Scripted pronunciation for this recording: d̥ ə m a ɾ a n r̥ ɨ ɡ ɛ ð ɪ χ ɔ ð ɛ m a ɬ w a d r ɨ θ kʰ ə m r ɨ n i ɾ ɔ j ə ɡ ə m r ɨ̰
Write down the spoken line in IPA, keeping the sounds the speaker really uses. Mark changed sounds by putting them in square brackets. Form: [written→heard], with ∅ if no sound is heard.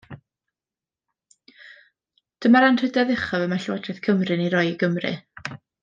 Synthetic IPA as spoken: d̥ ə m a ɾ a n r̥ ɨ [ɡ→d] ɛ ð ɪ χ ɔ [ð→v] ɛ m a ɬ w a d r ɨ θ kʰ ə m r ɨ n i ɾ ɔ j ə ɡ ə m r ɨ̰